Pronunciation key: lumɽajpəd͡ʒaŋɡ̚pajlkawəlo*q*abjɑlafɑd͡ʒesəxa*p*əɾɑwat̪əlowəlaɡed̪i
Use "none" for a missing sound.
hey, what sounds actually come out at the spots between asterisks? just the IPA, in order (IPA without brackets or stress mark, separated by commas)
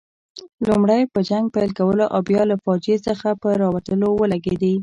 ʔ, p